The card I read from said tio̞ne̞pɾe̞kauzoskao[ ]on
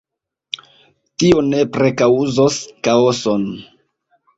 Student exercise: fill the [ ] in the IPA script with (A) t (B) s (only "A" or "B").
B